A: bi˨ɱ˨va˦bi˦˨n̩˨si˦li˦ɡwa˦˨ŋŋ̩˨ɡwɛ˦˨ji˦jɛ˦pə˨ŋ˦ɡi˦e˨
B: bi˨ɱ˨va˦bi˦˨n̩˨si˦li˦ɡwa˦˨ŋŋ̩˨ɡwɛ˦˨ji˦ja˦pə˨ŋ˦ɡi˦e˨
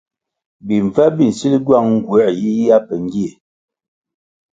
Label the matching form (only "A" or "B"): B